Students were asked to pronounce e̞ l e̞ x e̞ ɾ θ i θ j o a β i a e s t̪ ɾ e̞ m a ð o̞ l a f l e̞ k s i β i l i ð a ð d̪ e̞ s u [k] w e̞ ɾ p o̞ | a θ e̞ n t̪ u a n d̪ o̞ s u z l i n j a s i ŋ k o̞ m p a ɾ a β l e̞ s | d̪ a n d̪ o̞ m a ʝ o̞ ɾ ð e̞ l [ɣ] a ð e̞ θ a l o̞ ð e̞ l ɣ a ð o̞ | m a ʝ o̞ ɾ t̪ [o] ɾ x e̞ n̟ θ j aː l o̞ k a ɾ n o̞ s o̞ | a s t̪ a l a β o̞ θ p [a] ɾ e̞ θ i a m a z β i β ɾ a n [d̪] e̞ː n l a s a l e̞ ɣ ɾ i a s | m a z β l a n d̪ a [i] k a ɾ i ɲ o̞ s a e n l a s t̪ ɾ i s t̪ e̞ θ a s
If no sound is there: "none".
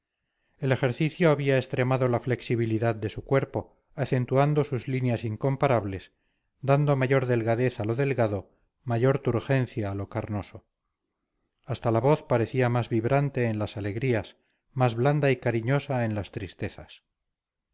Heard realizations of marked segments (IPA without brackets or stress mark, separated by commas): k, ɣ, u, a, t̪, i